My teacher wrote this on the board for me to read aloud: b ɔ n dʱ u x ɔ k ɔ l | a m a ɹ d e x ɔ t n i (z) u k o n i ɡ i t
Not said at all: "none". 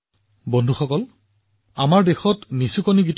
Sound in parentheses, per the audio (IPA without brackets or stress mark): s